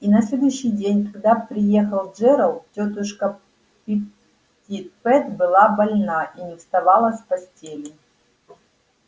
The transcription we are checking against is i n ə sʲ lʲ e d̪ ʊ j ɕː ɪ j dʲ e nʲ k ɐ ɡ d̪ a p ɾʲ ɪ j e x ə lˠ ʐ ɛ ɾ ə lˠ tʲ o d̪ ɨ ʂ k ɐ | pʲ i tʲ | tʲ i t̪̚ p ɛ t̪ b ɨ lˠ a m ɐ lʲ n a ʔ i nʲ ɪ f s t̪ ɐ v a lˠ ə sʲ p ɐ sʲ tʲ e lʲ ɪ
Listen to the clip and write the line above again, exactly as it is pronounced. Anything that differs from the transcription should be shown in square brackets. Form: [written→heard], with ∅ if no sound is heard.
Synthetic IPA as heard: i n [ə→ɐ] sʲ lʲ e d̪ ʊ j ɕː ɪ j dʲ e nʲ k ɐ ɡ d̪ a p ɾʲ ɪ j e x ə lˠ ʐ ɛ ɾ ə lˠ tʲ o [d̪→t̪] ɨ ʂ k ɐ | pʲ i [tʲ→∅] | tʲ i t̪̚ p ɛ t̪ b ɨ lˠ a [m→b] ɐ lʲ n a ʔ i nʲ ɪ f s t̪ ɐ v a lˠ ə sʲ p ɐ sʲ tʲ e lʲ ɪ

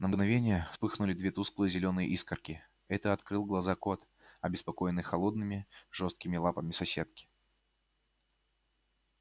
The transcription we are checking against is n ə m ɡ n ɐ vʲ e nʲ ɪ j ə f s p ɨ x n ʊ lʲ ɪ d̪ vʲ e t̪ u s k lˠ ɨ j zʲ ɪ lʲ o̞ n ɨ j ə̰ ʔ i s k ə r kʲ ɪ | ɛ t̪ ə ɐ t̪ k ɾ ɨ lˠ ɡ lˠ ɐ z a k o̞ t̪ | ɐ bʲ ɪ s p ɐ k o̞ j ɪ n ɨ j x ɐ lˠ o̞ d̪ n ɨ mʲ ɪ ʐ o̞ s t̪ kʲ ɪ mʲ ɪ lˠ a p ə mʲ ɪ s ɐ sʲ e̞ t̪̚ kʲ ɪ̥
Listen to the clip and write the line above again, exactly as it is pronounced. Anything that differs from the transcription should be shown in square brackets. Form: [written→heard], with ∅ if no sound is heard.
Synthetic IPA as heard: n ə m ɡ n ɐ vʲ e nʲ ɪ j ə f s p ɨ x n ʊ lʲ ɪ d̪ vʲ e t̪ u s k lˠ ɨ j zʲ ɪ lʲ o̞ n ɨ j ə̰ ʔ i s k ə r kʲ ɪ | ɛ t̪ ə ɐ t̪ k ɾ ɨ lˠ ɡ lˠ ɐ z a k o̞ t̪ | ɐ bʲ ɪ s p ɐ k o̞ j ɪ n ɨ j x ɐ lˠ o̞ d̪ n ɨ mʲ ɪ ʐ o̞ s t̪ kʲ ɪ mʲ ɪ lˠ a p ə mʲ ɪ s ɐ sʲ e̞ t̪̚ kʲ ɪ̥

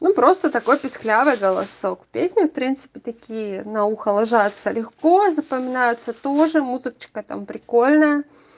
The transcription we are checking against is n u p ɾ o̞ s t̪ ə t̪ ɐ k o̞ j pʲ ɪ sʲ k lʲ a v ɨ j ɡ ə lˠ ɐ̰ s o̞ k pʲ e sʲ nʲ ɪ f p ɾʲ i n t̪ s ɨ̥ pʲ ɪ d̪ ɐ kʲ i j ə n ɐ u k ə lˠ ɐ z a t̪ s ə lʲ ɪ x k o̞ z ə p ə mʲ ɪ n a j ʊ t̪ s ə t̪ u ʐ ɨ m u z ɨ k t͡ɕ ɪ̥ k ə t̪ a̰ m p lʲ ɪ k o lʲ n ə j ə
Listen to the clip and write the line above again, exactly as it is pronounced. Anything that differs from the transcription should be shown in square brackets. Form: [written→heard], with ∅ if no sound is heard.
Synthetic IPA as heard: n u p ɾ o̞ s t̪ ə t̪ ɐ k o̞ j pʲ ɪ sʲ k lʲ a v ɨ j ɡ ə lˠ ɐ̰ s o̞ k pʲ e sʲ nʲ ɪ f p ɾʲ i n t̪ s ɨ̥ pʲ ɪ [d̪→t̪] ɐ kʲ i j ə n ɐ u [k→x] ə lˠ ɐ [z→ʐ] a t̪ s ə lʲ ɪ x k o̞ z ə p ə mʲ ɪ n a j ʊ t̪ s ə t̪ [u→o] ʐ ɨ m u z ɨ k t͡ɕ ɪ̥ k ə t̪ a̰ m p [lʲ→ɾʲ] ɪ k o lʲ n ə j ə

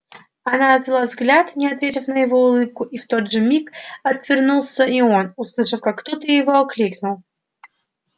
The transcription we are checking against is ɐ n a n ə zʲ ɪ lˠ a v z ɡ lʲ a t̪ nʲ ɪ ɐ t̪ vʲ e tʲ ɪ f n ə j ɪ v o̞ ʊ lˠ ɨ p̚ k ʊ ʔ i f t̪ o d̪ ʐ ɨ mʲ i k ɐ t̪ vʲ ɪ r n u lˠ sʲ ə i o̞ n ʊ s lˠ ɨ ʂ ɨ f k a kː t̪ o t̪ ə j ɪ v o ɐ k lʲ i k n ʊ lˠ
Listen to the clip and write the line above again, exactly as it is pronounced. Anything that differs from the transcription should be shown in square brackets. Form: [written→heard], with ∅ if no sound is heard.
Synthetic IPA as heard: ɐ n a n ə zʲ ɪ lˠ a v z ɡ lʲ a t̪ nʲ ɪ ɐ t̪ vʲ e tʲ ɪ f n ə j ɪ v o̞ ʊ lˠ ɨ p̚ k ʊ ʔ i f t̪ o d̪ ʐ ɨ mʲ i k ɐ t̪ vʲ ɪ r n u lˠ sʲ ə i o̞ n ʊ s lˠ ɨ ʂ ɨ f k a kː t̪ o t̪ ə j ɪ v o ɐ k lʲ i k n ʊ lˠ

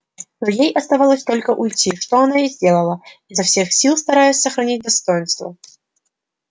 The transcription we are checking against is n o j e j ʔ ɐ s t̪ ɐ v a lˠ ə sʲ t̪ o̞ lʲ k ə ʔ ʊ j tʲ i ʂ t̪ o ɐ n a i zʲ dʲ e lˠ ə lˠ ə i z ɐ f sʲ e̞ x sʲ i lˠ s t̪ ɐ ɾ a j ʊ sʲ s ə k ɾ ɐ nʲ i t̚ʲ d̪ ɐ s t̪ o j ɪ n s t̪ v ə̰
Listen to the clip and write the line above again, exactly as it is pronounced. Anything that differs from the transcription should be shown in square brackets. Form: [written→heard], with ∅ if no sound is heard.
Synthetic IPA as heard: n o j e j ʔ ɐ s t̪ ɐ v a lˠ ə sʲ t̪ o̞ lʲ k ə ʔ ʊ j tʲ i ʂ t̪ o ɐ n a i zʲ dʲ e lˠ ə lˠ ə i z ɐ f sʲ e̞ x sʲ i lˠ s t̪ ɐ ɾ a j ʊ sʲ s ə [k→x] ɾ ɐ nʲ i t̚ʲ d̪ ɐ s t̪ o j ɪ n s t̪ v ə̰

